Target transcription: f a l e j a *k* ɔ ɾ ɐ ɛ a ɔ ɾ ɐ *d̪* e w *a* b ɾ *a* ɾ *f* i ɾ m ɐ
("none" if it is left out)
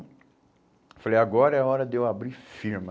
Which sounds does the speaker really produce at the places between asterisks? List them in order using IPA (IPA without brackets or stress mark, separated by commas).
ɡ, d̪, a, i, f